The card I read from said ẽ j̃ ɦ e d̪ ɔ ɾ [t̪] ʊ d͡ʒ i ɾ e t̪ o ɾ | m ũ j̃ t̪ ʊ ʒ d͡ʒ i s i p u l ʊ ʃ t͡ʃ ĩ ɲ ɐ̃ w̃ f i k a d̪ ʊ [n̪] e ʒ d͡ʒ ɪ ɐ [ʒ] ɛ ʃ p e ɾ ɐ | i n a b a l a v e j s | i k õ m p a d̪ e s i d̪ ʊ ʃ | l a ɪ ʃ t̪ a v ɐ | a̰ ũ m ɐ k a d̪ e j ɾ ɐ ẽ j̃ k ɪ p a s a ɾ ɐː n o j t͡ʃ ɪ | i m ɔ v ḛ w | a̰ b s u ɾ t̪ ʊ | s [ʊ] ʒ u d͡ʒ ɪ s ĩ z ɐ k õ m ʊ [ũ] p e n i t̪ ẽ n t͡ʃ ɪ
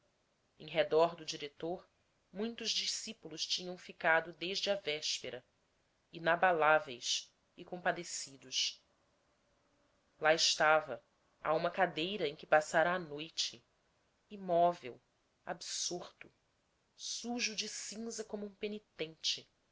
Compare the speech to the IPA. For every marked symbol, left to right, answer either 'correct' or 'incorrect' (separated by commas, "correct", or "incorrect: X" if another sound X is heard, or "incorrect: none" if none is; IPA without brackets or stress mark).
incorrect: d̪, incorrect: d̪, incorrect: v, incorrect: u, correct